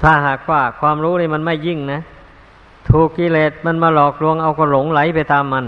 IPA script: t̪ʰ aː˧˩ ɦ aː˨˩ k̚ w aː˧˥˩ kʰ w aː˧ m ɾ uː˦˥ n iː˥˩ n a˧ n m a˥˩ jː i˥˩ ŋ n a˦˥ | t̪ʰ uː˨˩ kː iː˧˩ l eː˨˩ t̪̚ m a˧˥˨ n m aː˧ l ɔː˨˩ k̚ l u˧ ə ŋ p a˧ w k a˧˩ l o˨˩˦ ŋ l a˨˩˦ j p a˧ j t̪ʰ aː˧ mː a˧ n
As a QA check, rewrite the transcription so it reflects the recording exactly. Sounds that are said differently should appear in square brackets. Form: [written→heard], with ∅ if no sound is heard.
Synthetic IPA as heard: t̪ʰ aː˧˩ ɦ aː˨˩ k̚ w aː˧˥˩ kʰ w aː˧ m ɾ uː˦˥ n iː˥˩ [n→m] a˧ n m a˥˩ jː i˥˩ ŋ n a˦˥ | t̪ʰ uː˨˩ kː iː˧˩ l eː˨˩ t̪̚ m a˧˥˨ n m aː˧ l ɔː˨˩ k̚ l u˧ ə ŋ [p→ʔ] a˧ w k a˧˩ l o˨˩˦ ŋ l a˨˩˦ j p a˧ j [t̪ʰ→t̪] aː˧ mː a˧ n